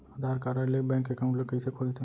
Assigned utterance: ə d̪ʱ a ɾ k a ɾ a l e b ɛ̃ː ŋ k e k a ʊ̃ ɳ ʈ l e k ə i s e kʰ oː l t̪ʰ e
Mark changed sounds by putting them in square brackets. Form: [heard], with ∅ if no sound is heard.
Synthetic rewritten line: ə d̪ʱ a ɾ k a ɾ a l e b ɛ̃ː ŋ k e k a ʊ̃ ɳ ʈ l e k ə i s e kʰ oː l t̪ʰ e